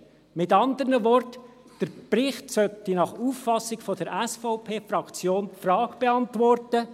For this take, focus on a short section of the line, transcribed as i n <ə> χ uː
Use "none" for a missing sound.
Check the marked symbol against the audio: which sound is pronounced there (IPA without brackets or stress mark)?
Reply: ɑ